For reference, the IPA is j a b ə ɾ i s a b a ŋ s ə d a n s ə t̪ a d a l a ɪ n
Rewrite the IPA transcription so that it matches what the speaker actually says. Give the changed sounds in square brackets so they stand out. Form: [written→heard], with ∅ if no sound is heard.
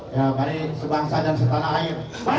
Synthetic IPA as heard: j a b [ə→a] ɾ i s [a→ə] b a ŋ s [ə→a] d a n s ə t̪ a [d→n] a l a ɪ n